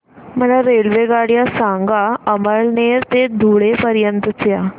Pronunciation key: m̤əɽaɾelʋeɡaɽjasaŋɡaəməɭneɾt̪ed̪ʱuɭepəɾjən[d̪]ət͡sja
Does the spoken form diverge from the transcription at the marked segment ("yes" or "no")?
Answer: yes